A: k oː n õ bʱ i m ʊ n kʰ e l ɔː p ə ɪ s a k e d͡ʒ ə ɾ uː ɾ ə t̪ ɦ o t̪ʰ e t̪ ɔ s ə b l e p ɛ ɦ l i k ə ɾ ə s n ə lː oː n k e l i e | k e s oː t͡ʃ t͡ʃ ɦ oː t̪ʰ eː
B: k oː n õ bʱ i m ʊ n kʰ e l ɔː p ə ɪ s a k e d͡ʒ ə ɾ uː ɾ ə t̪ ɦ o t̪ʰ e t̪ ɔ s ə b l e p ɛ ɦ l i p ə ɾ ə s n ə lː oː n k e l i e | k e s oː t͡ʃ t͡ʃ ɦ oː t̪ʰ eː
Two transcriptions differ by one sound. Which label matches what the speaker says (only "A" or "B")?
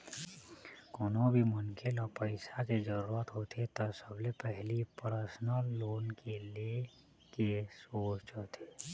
B